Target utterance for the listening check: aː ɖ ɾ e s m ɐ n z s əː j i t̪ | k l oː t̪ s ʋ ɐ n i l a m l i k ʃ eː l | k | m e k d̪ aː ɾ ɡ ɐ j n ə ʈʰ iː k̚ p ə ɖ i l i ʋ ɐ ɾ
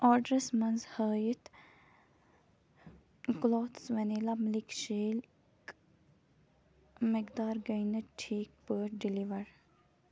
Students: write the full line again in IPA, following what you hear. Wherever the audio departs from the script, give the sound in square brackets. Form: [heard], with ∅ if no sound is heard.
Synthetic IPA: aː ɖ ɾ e s m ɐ n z [h] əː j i t̪ | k l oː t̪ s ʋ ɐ n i l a m l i k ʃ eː l | k | m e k d̪ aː ɾ ɡ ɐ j n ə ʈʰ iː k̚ p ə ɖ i l i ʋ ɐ ɾ